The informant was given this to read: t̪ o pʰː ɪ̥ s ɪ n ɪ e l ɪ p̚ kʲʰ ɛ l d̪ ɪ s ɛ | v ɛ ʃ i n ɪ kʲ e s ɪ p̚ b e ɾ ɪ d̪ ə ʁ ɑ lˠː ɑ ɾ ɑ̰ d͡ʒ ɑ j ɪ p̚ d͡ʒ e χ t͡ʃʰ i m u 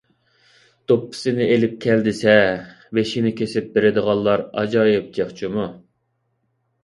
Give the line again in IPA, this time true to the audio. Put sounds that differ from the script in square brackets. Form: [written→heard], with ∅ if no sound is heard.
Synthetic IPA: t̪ o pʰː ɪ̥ s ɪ n ɪ e l ɪ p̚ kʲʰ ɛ l d̪ ɪ s ɛ | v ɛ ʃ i n ɪ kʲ e s ɪ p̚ b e ɾ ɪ d̪ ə ʁ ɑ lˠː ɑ ɾ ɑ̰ d͡ʒ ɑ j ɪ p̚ d͡ʒ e χ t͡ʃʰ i m u

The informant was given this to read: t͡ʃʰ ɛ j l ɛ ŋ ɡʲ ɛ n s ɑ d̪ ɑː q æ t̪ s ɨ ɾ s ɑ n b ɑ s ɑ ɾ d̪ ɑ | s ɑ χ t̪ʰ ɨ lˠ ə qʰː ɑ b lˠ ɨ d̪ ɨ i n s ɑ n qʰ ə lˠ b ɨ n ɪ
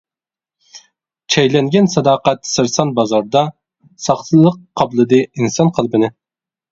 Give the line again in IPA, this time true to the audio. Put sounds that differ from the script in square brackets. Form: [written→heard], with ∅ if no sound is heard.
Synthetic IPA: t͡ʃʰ ɛ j l ɛ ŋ ɡʲ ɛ n s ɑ d̪ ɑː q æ t̪ s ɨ ɾ s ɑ n b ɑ [s→z] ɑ ɾ d̪ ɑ | s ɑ χ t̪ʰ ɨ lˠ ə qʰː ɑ b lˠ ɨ d̪ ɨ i n s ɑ n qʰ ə lˠ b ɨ n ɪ

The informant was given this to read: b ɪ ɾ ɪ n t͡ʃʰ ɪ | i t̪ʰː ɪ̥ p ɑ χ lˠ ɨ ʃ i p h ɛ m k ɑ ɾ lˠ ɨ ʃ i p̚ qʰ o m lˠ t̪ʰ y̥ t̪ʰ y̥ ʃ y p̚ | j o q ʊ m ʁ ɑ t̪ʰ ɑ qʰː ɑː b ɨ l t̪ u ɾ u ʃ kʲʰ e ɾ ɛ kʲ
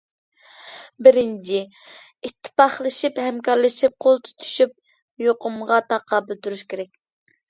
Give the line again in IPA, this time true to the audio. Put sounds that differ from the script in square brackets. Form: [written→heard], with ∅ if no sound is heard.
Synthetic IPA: b ɪ ɾ ɪ n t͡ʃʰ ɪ | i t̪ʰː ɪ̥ p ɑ χ lˠ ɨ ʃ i p h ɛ m k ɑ ɾ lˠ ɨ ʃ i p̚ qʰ o [m→∅] lˠ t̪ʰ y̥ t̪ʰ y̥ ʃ y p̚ | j o q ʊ m ʁ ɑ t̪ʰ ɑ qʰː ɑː b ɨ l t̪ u ɾ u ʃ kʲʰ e ɾ ɛ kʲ

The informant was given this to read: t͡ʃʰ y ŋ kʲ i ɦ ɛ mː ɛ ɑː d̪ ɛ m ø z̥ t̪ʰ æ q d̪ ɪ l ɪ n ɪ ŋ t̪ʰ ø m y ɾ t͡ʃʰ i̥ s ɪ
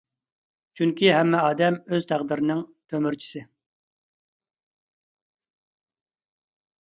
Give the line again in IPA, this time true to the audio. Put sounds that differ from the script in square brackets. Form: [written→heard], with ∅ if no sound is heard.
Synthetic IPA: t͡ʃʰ y ŋ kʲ i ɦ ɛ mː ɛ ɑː d̪ ɛ m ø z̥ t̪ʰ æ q d̪ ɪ [l→ɾ] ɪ n ɪ ŋ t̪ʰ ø m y ɾ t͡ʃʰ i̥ s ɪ

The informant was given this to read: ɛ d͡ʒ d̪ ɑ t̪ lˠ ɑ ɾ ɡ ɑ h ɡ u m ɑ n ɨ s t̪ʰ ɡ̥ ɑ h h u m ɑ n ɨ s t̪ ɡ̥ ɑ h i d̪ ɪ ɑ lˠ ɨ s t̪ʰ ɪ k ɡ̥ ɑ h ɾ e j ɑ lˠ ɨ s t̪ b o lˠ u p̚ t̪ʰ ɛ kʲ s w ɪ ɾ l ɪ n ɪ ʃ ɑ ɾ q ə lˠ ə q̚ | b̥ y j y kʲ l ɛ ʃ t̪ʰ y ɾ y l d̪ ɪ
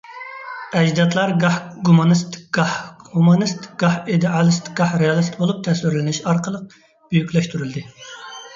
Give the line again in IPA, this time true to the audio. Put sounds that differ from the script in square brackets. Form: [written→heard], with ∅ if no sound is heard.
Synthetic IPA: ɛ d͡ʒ d̪ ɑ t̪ lˠ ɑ ɾ ɡ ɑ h ɡ u m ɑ n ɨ s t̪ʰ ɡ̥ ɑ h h u m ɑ n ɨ s t̪ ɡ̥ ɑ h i d̪ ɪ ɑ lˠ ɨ s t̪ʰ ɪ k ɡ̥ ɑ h ɾ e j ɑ lˠ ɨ s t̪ b o lˠ u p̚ t̪ʰ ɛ [kʲ→∅] s w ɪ ɾ l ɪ n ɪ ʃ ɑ ɾ q ə lˠ ə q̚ | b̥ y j y kʲ l ɛ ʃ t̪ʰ y ɾ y l d̪ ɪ

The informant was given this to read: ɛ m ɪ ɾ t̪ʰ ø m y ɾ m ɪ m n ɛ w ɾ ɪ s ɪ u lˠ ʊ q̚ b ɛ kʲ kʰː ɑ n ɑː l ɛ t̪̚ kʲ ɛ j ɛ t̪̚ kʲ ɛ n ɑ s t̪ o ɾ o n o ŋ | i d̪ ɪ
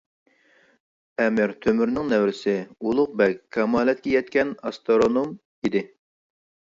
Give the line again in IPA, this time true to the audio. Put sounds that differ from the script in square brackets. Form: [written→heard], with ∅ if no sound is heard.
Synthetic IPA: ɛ m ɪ ɾ t̪ʰ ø m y ɾ [m→n] ɪ [m→ŋ] n ɛ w ɾ ɪ s ɪ u lˠ ʊ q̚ b ɛ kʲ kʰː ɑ [n→m] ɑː l ɛ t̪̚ kʲ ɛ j ɛ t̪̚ kʲ ɛ n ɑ s t̪ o ɾ o n o [ŋ→m] | i d̪ ɪ

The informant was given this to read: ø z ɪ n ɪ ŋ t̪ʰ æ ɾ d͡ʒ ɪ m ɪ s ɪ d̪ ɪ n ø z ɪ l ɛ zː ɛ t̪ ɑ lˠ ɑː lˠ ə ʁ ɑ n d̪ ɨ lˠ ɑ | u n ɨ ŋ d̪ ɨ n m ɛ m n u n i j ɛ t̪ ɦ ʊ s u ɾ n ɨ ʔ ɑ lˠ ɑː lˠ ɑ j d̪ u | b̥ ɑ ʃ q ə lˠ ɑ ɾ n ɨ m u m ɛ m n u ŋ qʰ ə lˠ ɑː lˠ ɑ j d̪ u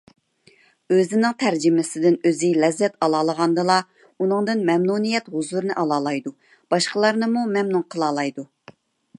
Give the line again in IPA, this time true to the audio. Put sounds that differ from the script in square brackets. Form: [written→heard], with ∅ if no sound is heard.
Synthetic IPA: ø z ɪ n ɪ ŋ t̪ʰ æ ɾ d͡ʒ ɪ m ɪ s ɪ d̪ ɪ n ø z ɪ l ɛ zː ɛ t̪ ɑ lˠ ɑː lˠ ə ʁ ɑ n d̪ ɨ lˠ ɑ | u n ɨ ŋ d̪ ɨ n m ɛ m n u n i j ɛ t̪ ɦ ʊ [s→z] u ɾ n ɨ ʔ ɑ lˠ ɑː lˠ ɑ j d̪ u | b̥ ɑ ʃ q ə lˠ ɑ ɾ n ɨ m u m ɛ m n u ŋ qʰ ə lˠ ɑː lˠ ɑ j d̪ u

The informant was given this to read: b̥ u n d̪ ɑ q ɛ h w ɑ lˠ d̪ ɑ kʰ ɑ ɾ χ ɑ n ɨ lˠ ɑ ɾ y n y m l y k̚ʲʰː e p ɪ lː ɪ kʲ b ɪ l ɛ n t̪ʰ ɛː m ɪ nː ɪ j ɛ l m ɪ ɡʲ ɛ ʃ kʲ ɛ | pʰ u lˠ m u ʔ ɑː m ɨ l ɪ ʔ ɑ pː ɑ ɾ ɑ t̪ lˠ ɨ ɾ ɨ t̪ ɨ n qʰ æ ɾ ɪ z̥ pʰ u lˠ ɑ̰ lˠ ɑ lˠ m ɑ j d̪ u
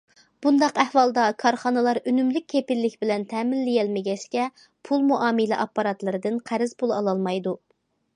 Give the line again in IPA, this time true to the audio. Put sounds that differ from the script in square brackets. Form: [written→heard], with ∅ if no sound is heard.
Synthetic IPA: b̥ u n d̪ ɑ q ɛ h w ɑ lˠ d̪ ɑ kʰ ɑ ɾ χ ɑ n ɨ lˠ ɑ ɾ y n y m l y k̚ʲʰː e p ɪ lː ɪ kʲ b ɪ l ɛ n t̪ʰ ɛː m ɪ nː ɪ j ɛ l m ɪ ɡʲ ɛ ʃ kʲ ɛ | pʰ u lˠ m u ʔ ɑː m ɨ l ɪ ʔ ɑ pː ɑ ɾ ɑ t̪ lˠ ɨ ɾ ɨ [t̪→d̪] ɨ n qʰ æ ɾ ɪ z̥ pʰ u lˠ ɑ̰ lˠ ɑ lˠ m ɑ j d̪ u

